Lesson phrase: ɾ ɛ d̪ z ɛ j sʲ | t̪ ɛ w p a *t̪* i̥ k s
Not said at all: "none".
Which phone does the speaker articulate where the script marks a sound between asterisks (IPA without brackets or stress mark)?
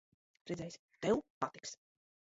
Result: t̪